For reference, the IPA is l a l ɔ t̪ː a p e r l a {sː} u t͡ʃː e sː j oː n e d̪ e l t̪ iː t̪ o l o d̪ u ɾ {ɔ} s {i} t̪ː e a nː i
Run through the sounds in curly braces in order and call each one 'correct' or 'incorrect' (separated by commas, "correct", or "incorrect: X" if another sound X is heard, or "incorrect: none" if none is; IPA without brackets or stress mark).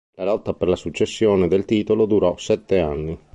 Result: incorrect: s, correct, incorrect: ɛ